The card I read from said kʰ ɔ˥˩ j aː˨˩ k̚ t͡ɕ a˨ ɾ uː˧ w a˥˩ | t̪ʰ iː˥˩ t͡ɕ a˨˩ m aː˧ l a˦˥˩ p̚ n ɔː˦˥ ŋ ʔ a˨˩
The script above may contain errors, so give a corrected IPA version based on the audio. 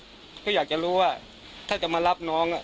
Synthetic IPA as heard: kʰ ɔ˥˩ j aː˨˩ k̚ t͡ɕ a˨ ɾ uː˦˥ w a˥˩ | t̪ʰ aː˥˩ t͡ɕ a˨˩ m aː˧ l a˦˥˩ p̚ n ɔː˦˥ ŋ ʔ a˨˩